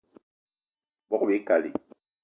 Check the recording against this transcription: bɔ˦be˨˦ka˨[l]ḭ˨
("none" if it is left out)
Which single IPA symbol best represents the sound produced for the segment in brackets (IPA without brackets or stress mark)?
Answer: l